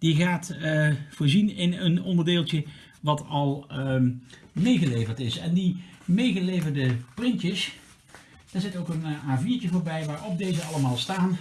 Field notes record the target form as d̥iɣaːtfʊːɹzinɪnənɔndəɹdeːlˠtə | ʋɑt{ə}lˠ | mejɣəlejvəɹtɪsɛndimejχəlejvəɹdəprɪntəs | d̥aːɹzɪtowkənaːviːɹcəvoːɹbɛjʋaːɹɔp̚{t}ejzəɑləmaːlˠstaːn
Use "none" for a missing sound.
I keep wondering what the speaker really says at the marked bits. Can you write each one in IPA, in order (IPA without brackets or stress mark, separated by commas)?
ɑ, d